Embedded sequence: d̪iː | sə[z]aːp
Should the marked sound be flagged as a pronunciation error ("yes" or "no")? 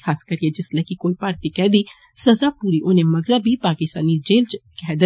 no